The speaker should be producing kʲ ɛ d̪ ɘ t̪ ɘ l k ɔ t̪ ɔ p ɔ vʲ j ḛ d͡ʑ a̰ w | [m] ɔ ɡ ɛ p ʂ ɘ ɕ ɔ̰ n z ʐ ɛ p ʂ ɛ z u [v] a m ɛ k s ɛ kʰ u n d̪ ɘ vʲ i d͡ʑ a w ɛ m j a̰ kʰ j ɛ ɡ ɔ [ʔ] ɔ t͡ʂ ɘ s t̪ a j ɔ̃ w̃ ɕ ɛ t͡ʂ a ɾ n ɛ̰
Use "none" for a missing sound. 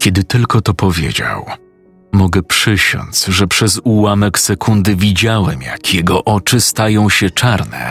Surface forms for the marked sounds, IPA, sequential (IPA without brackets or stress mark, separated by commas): m, w, ʔ